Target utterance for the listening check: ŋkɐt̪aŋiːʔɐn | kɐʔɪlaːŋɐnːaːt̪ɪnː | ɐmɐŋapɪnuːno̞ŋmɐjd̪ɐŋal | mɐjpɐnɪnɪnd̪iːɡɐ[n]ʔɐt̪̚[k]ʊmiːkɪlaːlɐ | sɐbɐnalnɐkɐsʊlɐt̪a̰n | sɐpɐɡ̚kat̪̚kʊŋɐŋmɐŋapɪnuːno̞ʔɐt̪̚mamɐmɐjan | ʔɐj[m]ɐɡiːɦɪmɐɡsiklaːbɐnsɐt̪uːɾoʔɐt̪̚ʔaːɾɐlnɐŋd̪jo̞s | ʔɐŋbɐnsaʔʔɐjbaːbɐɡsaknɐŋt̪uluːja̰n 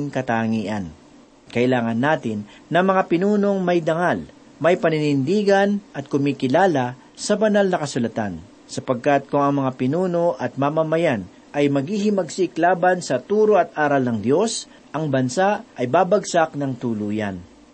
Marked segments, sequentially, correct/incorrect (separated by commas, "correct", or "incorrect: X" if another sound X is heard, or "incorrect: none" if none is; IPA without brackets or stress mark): correct, correct, correct